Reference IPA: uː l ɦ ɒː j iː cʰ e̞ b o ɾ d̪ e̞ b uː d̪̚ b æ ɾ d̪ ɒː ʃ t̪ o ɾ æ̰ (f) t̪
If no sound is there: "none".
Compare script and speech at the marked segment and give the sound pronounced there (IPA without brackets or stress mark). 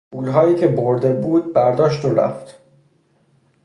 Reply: f